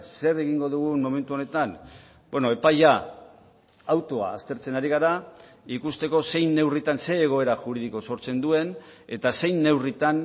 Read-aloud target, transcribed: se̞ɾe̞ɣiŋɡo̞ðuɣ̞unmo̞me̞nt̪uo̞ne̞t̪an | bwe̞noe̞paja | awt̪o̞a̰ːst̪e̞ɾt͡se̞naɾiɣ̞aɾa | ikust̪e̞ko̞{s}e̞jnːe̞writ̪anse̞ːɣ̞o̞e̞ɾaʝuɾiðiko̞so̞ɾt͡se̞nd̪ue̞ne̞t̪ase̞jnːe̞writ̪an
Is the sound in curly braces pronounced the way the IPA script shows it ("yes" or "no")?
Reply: yes